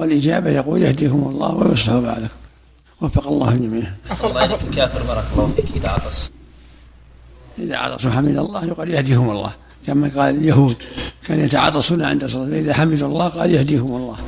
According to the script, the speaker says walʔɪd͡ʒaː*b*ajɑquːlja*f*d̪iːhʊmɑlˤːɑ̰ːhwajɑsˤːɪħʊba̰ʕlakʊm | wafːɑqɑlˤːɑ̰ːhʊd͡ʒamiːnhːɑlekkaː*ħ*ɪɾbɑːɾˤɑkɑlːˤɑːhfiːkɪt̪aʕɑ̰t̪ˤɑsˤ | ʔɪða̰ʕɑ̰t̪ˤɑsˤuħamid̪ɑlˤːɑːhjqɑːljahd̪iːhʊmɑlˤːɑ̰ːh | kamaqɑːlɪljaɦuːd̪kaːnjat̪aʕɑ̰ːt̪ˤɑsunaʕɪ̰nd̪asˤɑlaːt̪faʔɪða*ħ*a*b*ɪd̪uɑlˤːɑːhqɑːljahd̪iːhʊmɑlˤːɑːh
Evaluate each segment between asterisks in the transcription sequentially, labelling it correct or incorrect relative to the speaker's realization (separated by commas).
correct, incorrect, incorrect, correct, incorrect